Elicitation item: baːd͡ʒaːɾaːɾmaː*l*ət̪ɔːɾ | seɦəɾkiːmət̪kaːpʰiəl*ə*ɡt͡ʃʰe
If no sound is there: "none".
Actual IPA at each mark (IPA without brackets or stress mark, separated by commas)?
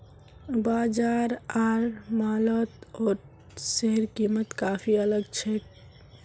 l, ə